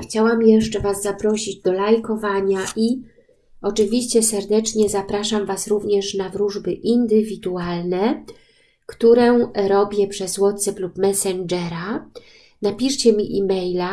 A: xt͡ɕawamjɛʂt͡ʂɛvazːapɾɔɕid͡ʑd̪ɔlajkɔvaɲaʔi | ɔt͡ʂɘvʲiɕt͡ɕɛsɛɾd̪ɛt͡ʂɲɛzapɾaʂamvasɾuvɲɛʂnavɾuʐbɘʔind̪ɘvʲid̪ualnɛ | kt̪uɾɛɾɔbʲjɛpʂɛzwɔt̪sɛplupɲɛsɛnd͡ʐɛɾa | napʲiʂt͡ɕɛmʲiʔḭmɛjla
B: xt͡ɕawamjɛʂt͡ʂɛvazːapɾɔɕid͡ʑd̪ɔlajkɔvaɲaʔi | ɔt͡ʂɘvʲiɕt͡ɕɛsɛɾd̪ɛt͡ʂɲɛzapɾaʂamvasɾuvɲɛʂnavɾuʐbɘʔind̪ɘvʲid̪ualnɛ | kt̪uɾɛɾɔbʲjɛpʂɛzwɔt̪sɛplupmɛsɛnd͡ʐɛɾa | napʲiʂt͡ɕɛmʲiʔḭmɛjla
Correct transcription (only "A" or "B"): B